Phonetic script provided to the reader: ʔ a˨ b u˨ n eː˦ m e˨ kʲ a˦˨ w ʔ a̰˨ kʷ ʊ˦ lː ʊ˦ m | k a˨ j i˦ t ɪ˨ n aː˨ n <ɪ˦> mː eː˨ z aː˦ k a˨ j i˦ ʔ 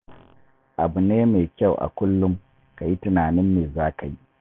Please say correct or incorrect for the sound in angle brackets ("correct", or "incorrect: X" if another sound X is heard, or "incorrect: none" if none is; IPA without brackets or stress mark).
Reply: correct